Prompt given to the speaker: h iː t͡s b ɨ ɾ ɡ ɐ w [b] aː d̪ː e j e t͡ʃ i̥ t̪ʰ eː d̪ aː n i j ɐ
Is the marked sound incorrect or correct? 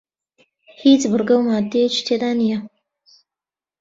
incorrect